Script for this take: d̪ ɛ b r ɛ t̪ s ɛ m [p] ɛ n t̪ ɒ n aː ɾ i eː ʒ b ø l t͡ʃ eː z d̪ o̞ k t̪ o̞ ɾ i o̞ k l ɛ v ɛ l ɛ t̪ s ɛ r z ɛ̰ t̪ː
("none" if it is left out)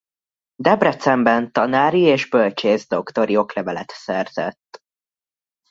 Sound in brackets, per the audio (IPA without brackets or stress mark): b